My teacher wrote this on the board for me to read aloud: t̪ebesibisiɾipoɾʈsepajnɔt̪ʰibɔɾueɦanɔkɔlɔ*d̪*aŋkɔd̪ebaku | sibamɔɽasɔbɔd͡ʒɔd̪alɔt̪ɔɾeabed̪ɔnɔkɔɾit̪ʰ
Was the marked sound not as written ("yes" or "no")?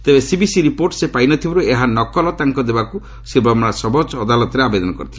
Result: yes